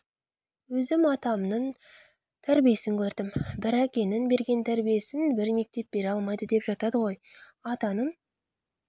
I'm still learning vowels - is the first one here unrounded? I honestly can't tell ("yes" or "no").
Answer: no